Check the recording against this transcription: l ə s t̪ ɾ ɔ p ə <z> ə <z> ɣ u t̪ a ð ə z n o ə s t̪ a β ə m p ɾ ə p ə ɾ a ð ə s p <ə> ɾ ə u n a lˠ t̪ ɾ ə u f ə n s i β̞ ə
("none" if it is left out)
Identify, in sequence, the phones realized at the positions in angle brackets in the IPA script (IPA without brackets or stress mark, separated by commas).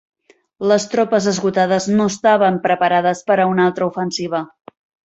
z, z, ə